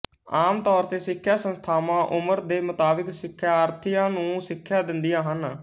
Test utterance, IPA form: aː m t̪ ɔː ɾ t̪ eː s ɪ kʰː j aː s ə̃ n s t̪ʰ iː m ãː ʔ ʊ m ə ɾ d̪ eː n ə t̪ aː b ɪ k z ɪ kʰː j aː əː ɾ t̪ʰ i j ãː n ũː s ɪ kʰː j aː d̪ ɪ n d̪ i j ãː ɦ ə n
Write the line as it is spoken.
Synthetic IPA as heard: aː m t̪ ɔː ɾ t̪ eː s ɪ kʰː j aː s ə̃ n s t̪ʰ aː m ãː ʔ ʊ m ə ɾ d̪ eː m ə t̪ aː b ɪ k s ɪ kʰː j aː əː ɾ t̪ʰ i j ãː n ũː s ɪ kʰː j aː d̪ ɪ n d̪ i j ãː ɦ ə n